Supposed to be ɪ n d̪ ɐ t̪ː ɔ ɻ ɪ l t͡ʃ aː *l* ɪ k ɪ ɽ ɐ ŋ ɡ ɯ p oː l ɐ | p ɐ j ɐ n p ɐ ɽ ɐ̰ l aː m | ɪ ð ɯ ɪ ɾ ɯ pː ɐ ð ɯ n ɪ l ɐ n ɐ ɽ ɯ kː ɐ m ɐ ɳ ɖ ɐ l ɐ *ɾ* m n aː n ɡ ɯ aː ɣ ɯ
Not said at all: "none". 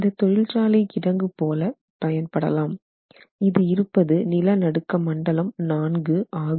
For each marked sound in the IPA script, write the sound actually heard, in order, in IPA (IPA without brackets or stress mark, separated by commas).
l, none